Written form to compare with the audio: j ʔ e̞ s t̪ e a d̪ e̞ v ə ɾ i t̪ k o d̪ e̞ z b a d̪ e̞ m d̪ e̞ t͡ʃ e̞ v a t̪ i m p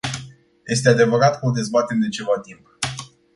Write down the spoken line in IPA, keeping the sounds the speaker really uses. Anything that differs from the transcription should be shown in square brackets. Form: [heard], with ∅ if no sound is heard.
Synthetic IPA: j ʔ e̞ s t̪ e a d̪ e̞ v ə ɾ [a] t̪ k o d̪ e̞ z b a [t̪] e̞ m d̪ e̞ t͡ʃ e̞ v a t̪ i m p